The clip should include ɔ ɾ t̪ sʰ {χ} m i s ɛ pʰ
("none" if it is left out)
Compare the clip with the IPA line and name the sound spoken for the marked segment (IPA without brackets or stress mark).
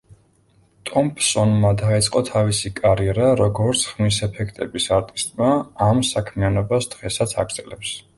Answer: χ